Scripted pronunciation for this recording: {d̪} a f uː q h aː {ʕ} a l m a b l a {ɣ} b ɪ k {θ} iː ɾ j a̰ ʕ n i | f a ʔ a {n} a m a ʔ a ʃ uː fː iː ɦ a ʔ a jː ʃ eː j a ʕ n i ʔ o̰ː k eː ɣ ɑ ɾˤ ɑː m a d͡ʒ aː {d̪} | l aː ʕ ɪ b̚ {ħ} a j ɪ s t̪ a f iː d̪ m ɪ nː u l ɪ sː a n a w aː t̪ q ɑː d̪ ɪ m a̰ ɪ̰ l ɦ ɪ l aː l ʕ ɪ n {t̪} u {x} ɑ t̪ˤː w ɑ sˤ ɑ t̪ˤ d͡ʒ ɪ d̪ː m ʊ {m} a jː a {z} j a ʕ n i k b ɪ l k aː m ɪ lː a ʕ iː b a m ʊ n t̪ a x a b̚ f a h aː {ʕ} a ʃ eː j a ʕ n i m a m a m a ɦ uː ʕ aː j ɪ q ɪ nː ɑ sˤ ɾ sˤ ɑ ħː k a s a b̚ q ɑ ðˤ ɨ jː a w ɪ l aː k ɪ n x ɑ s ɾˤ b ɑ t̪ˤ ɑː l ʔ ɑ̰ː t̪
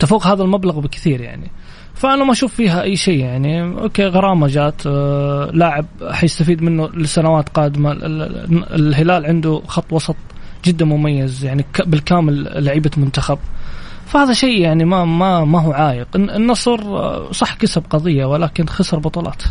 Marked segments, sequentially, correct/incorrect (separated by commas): incorrect, incorrect, correct, correct, correct, incorrect, correct, incorrect, correct, correct, correct, incorrect